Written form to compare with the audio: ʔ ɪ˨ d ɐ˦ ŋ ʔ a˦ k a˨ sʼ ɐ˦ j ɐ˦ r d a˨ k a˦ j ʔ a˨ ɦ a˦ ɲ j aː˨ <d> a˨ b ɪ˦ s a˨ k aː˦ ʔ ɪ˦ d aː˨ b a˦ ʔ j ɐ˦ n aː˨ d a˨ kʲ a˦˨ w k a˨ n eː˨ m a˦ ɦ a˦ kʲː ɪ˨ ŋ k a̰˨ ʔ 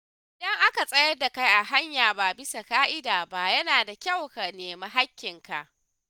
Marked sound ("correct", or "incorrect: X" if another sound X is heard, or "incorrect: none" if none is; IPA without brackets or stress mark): incorrect: b